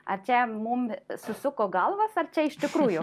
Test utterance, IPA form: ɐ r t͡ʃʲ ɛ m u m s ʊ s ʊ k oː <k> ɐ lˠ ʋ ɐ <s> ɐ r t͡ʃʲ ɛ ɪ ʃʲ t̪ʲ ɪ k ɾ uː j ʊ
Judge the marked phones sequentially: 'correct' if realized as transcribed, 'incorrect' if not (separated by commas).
incorrect, correct